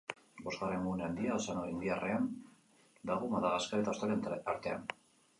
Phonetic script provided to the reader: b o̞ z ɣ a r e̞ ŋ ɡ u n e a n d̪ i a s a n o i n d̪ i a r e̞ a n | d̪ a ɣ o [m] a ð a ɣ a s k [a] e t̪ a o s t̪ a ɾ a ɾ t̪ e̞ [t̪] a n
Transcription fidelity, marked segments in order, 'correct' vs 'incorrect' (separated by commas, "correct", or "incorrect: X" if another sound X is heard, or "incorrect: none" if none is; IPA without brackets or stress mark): correct, correct, incorrect: none